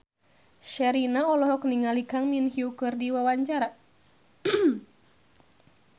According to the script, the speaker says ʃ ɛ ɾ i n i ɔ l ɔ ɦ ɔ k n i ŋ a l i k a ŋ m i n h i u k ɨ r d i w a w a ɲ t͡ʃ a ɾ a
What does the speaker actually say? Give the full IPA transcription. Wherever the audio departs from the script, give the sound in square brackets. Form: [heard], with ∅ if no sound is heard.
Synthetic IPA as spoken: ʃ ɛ ɾ i n [a] ɔ l ɔ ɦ ɔ k n i ŋ a l i k a ŋ m i n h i u k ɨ r d i w a w a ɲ t͡ʃ a ɾ a